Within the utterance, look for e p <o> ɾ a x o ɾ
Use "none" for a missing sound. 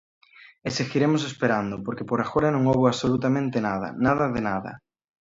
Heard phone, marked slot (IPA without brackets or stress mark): o